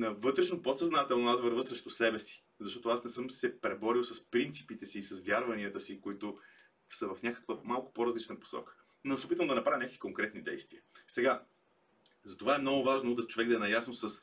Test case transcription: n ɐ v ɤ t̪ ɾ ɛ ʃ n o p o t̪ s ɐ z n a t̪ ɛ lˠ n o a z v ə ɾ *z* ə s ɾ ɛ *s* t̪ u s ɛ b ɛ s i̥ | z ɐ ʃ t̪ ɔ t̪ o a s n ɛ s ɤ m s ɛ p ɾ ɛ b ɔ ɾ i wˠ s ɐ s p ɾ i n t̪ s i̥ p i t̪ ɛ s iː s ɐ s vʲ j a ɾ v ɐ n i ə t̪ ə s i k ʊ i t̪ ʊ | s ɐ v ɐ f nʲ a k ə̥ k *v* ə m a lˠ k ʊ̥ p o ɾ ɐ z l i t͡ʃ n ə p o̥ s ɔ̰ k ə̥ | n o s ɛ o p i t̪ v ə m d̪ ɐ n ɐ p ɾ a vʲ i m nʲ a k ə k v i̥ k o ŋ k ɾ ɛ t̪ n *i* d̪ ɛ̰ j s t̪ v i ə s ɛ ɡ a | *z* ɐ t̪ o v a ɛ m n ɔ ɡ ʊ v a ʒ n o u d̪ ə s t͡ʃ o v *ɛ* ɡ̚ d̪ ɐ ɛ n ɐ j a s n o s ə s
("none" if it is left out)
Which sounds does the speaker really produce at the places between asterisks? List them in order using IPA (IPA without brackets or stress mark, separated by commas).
v, ʃ, v, i, z, ɛ